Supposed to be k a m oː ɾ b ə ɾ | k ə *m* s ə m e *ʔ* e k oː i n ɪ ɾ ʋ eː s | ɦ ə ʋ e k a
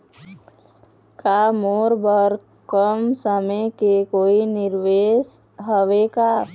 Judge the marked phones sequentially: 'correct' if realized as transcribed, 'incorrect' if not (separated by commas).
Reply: correct, incorrect